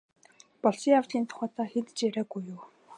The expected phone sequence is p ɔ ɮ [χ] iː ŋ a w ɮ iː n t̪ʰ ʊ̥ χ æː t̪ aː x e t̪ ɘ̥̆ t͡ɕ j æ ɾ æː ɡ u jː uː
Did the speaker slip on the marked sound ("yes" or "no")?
yes